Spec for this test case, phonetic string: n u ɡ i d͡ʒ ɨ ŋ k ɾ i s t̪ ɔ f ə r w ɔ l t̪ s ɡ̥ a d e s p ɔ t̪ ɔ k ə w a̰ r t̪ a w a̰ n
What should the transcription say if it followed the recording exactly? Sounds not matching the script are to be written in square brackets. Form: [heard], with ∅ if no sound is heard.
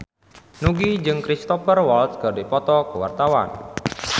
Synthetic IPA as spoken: n u ɡ i d͡ʒ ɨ ŋ k ɾ i s t̪ ɔ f ə r w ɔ l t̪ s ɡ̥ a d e [∅] p ɔ t̪ ɔ k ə w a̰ r t̪ a w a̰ n